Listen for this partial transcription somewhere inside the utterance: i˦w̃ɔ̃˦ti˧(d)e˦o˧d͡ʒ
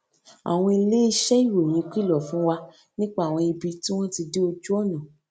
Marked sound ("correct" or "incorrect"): correct